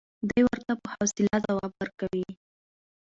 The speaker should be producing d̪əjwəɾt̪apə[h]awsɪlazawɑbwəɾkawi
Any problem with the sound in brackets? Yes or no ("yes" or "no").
no